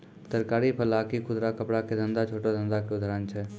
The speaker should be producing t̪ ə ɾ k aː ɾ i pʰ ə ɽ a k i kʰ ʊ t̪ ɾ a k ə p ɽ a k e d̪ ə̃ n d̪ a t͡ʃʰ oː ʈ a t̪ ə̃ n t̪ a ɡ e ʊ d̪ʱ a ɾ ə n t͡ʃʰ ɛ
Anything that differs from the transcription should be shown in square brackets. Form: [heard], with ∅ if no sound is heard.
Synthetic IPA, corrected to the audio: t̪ ə ɾ k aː ɾ i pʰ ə [l] a k i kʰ ʊ [d̪] ɾ a k ə p ɽ a k e d̪ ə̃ n d̪ a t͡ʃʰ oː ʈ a [d̪] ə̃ n [d̪] a [k] e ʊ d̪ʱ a ɾ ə n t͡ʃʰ ɛ